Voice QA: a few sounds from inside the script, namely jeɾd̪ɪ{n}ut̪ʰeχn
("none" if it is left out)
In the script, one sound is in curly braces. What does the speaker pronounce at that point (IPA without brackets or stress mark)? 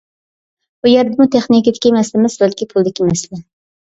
m